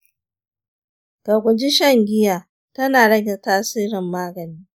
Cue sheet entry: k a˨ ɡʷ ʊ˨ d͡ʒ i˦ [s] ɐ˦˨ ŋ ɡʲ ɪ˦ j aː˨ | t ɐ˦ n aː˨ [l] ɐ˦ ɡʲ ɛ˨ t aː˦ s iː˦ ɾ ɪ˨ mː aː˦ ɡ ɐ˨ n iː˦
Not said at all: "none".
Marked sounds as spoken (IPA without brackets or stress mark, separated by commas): ʃ, ɽ